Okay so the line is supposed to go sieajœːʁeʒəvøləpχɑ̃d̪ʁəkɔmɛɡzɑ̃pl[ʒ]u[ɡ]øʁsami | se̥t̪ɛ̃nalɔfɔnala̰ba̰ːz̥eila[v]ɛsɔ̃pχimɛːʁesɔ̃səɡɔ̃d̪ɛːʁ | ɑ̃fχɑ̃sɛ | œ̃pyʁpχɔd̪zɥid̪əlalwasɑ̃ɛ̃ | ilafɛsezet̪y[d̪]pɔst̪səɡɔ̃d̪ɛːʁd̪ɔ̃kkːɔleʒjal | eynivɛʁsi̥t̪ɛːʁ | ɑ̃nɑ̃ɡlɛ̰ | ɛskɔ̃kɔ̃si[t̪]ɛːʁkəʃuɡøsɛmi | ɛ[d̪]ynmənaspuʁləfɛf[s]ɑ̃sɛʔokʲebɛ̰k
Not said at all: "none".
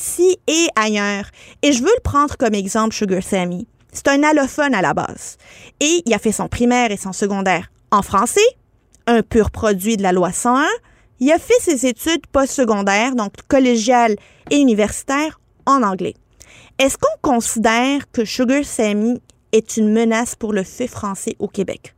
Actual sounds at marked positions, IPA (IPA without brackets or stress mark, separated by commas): ʃ, ɡ, f, d̪, d̪, t̪, χ